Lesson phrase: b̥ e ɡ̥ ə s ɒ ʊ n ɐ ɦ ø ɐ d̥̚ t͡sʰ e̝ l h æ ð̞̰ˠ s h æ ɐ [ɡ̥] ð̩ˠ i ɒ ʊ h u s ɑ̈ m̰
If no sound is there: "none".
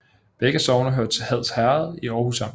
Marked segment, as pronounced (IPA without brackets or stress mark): none